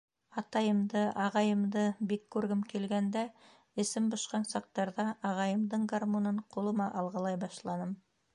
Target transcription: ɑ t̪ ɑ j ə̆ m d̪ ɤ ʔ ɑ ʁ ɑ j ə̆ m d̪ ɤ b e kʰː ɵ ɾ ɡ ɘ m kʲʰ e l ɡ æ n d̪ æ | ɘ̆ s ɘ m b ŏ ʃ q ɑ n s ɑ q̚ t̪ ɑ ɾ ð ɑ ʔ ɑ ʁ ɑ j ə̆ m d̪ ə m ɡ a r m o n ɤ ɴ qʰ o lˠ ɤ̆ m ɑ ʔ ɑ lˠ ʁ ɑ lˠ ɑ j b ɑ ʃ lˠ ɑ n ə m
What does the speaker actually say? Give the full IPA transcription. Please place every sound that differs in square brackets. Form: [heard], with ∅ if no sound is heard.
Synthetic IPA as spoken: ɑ t̪ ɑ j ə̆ m d̪ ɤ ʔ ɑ ʁ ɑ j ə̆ m d̪ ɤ b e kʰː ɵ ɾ ɡ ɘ m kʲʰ e l ɡ æ n d̪ æ | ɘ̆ s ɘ m b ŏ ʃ q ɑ n s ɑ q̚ t̪ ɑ ɾ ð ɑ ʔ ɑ ʁ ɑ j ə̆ m d̪ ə [ɴ] ɡ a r m o n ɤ ɴ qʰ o lˠ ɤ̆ m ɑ ʔ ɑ lˠ ʁ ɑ lˠ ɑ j b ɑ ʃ lˠ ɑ n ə m